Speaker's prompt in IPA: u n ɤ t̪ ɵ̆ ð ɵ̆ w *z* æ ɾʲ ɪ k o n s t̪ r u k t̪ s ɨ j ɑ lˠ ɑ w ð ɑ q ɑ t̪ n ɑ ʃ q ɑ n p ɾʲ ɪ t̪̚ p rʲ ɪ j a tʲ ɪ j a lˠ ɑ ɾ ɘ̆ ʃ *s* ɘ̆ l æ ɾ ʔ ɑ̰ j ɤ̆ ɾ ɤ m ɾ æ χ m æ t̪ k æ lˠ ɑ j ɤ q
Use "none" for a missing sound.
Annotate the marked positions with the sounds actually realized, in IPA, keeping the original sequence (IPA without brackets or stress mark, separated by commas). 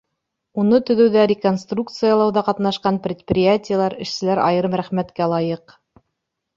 ð, s